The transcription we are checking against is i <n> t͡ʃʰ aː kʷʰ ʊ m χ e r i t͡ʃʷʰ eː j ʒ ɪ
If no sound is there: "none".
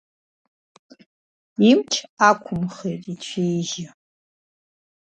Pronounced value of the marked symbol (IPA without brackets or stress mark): m